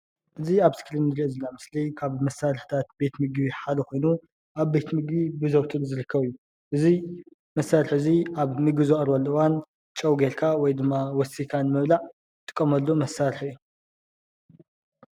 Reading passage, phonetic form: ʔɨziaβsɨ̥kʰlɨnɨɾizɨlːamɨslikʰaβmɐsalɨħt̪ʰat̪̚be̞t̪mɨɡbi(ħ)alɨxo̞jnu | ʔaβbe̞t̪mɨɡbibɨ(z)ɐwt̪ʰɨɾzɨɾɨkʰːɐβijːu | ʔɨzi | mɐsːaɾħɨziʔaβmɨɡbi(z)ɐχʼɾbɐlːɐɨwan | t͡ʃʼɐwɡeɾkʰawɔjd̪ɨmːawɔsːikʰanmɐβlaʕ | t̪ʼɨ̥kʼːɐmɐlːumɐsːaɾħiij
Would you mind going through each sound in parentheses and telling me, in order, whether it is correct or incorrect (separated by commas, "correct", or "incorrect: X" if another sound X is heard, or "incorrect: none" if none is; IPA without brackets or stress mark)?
correct, correct, correct